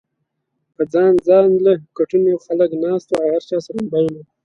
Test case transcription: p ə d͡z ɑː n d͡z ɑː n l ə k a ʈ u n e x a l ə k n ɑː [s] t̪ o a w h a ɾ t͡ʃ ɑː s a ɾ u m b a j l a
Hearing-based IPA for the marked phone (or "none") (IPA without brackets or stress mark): s